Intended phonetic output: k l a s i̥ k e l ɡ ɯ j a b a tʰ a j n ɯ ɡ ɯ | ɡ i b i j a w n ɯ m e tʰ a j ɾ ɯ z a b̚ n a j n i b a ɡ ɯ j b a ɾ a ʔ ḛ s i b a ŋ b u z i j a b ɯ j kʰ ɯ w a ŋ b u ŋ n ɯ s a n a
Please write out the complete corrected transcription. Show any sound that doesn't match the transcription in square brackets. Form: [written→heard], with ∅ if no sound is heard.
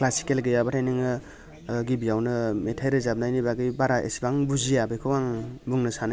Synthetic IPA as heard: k l a s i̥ k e l ɡ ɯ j a b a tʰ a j n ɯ [ɡ→ŋ] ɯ | ɡ i b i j a w n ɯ m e tʰ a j ɾ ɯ z a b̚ n a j n i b a ɡ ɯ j b a ɾ a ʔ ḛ s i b a ŋ b u z i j a b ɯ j kʰ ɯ w a ŋ b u ŋ n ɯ s a n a